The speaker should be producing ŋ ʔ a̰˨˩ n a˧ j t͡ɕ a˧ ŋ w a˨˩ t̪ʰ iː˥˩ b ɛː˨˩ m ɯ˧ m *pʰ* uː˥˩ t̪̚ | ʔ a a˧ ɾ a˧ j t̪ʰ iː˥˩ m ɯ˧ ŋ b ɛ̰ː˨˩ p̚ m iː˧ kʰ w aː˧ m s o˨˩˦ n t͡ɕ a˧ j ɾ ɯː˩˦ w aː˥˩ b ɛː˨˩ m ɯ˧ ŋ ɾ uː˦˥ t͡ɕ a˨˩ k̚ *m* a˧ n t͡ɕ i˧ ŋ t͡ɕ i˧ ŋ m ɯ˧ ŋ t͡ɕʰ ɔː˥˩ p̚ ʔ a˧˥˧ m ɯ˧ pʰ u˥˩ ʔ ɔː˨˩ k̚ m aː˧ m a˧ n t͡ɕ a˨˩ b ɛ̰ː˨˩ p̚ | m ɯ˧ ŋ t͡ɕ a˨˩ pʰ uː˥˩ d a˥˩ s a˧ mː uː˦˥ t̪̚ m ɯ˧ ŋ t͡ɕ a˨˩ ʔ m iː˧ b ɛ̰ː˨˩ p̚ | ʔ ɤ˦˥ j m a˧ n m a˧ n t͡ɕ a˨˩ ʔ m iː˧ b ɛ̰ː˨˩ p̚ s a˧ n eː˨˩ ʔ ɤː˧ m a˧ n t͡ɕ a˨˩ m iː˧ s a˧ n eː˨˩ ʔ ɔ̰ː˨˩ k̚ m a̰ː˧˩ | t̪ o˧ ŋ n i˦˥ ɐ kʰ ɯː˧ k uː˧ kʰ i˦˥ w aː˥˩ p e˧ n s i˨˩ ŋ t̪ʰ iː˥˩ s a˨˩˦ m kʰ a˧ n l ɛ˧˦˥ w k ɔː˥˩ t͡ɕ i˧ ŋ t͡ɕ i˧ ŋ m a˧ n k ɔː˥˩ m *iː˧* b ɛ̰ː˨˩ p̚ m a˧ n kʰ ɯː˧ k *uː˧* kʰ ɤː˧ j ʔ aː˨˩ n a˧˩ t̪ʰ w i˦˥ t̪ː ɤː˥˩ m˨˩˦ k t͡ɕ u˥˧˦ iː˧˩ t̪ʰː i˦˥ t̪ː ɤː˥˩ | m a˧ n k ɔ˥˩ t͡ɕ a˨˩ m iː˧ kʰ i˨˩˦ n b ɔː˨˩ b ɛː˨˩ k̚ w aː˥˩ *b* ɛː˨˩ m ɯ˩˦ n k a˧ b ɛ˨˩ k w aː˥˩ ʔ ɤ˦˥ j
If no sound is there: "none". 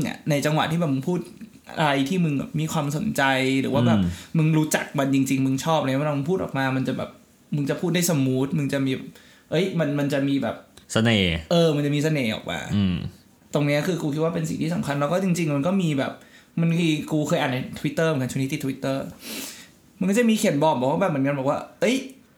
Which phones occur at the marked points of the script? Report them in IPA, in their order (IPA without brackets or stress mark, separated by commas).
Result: pʰ, m, iː˧, uː˧, b